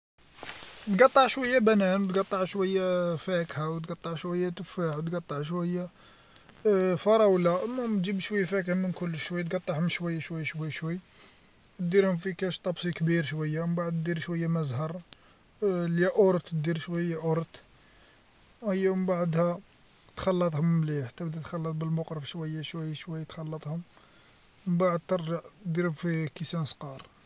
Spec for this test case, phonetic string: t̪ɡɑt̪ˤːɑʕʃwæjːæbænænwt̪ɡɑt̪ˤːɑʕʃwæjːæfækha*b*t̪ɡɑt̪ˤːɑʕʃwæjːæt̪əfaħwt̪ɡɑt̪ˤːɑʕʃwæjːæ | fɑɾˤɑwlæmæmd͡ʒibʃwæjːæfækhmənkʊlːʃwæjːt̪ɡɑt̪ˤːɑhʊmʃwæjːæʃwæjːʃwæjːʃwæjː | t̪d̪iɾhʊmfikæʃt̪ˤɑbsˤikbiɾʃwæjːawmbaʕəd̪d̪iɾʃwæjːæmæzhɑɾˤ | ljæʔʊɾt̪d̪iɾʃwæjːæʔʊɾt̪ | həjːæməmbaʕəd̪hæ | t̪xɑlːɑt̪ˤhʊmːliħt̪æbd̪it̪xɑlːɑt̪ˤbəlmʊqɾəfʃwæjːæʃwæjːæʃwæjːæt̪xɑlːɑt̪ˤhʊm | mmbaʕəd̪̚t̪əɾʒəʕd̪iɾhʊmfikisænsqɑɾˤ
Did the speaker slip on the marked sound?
yes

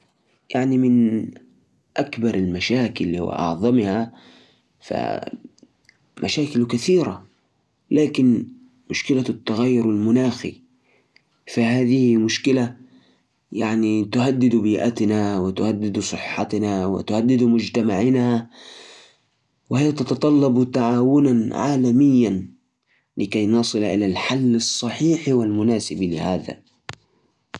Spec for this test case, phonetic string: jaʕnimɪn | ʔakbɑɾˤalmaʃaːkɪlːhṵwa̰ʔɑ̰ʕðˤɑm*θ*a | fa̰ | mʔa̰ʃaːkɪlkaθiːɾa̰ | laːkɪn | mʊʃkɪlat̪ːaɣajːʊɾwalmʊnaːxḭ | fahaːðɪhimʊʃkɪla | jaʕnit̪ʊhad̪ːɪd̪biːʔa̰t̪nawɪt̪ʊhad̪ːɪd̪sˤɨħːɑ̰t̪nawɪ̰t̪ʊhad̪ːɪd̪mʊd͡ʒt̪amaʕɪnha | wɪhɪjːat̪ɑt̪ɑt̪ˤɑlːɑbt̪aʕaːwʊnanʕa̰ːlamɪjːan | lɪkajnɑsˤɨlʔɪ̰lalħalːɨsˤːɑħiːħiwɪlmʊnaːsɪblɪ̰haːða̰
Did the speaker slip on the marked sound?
yes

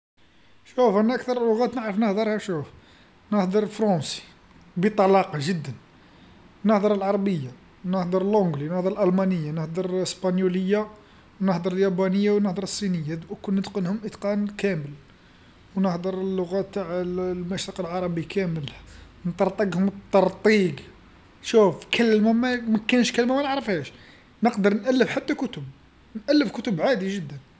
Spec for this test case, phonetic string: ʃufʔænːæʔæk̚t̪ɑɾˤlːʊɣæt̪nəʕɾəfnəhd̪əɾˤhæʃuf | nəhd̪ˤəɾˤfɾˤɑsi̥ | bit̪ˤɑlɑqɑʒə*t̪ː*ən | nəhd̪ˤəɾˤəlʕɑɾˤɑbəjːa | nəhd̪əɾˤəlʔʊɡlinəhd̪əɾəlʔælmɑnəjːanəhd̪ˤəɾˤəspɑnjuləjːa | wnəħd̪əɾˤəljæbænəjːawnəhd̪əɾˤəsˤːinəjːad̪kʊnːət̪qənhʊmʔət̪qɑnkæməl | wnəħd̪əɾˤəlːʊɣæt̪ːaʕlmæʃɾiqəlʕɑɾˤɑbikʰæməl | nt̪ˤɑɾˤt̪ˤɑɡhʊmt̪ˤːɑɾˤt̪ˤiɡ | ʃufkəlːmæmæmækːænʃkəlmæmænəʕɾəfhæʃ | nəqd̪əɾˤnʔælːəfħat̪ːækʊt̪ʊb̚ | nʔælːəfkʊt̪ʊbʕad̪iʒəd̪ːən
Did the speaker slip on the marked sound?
yes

